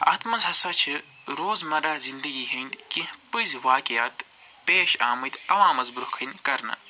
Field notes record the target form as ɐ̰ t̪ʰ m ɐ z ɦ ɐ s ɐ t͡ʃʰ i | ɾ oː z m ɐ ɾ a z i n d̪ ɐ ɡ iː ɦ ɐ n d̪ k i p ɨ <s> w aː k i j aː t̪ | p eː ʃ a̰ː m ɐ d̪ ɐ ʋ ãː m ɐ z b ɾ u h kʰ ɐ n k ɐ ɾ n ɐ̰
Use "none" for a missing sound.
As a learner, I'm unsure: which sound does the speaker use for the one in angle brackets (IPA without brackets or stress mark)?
z